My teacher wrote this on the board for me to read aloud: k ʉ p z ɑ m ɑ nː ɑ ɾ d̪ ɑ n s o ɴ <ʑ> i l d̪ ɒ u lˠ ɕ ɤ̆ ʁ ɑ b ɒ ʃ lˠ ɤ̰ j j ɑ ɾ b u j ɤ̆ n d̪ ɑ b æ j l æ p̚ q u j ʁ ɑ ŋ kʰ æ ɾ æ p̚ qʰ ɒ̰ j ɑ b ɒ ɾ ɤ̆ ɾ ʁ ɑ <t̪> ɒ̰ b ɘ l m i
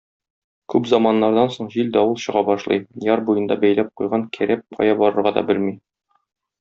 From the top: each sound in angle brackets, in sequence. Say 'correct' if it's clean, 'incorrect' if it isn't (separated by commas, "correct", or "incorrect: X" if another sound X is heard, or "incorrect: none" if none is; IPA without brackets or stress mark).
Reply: correct, incorrect: d̪